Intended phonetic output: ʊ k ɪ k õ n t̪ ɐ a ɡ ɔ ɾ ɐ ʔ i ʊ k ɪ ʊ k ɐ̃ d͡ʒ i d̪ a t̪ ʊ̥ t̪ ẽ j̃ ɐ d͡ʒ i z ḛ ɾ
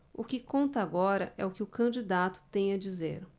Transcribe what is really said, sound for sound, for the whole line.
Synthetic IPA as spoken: ʊ k ɪ k õ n t̪ ɐ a ɡ ɔ ɾ ɐ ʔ ɛ ʊ k ɪ ʊ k ɐ̃ d͡ʒ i d̪ a t̪ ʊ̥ t̪ ẽ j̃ ɐ d͡ʒ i z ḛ ɾ